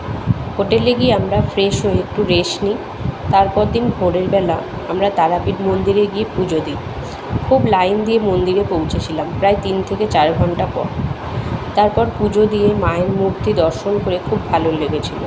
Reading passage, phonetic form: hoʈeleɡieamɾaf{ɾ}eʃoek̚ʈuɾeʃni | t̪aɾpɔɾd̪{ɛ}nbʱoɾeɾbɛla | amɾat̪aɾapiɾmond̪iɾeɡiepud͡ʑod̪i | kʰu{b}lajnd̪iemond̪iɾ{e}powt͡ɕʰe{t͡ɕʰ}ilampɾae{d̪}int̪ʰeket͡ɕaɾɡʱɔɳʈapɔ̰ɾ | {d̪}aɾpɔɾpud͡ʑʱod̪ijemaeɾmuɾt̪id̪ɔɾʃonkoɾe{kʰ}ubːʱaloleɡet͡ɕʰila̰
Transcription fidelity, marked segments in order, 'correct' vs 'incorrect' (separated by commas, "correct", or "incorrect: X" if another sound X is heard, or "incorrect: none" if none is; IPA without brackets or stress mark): correct, incorrect: i, correct, correct, correct, incorrect: t̪, incorrect: t̪, correct